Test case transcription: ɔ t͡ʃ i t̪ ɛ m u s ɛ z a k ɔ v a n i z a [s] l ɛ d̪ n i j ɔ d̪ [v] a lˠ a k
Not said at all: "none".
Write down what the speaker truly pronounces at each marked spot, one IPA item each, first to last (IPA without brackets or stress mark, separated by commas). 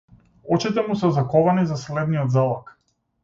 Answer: s, z